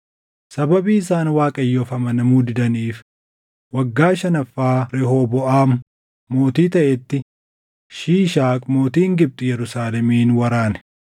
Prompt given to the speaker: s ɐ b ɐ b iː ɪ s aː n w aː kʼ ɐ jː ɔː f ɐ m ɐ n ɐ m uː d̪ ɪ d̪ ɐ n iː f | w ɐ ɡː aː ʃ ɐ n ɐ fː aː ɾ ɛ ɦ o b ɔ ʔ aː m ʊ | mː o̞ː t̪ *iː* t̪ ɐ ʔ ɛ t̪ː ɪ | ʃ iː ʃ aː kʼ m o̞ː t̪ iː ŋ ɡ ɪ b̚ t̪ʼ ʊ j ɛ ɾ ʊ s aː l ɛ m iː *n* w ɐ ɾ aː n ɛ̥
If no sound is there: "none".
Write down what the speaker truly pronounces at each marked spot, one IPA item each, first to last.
iː, n

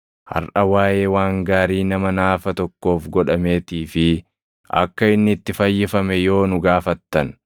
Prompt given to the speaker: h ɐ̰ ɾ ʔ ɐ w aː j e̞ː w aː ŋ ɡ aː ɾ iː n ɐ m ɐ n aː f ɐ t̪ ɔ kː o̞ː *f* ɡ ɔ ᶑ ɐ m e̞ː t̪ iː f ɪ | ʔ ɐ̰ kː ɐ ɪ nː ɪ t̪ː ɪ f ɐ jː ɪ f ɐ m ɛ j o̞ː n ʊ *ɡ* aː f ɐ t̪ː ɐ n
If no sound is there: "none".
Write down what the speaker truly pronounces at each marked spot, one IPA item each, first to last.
f, ɡ

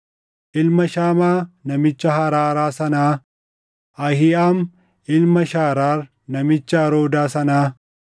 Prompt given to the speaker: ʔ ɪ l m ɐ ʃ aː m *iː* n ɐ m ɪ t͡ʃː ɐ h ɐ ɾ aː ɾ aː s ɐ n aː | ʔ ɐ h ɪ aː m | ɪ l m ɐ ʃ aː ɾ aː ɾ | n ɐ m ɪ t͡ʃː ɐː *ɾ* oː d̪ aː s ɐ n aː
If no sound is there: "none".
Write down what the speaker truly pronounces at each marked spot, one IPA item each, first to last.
aː, ɾ

